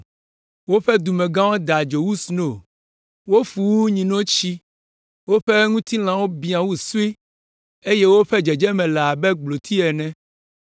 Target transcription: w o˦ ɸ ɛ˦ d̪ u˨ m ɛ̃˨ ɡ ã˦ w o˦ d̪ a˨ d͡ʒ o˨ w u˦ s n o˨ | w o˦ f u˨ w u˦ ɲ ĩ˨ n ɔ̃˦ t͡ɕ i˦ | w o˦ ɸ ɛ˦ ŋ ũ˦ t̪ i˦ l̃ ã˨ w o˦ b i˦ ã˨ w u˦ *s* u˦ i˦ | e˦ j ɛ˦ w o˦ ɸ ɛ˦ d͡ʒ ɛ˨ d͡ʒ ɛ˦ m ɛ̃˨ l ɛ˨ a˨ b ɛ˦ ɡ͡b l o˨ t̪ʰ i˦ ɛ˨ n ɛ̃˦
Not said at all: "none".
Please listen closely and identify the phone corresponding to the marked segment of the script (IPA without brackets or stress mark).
s